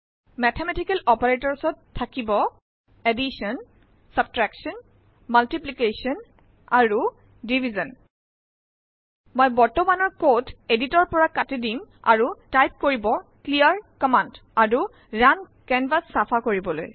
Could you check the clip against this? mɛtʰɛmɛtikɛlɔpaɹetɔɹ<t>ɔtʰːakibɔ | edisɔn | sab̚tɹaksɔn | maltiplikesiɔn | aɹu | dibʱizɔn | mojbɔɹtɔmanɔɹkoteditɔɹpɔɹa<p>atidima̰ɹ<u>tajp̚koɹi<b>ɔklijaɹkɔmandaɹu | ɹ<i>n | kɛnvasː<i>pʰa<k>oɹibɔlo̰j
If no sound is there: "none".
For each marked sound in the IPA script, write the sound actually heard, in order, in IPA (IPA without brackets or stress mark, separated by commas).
s, k, u, b, a, a, k